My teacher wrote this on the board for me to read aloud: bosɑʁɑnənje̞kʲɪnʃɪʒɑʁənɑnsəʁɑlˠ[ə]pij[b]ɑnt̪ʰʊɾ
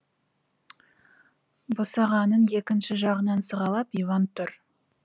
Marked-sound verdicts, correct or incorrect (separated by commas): incorrect, incorrect